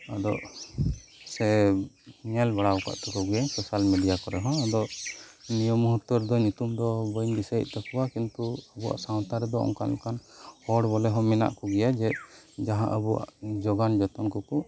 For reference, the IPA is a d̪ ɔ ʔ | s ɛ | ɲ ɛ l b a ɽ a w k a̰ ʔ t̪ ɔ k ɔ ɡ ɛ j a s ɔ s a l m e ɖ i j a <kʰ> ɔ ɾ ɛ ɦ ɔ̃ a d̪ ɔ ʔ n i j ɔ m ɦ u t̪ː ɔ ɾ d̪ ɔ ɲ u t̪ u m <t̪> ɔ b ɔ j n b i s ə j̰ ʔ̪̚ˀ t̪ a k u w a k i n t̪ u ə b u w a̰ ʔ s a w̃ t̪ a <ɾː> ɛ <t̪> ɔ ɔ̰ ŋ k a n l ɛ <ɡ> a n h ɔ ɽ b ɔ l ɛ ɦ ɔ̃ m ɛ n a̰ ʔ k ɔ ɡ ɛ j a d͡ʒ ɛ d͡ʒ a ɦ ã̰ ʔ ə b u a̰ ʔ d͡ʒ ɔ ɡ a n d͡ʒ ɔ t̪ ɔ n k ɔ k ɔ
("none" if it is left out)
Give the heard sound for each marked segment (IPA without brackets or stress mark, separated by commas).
k, d̪, ɾ, d̪, k